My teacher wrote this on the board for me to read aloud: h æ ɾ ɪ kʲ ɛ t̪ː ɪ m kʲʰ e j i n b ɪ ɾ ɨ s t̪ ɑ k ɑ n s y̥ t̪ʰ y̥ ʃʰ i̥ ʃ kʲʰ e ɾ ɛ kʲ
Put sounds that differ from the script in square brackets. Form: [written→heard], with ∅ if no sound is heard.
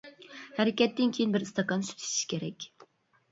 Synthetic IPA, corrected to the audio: h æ ɾ ɪ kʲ ɛ t̪ː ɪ [m→n] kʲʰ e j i n b ɪ ɾ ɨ s t̪ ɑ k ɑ n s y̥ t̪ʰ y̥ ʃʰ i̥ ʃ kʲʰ e ɾ ɛ kʲ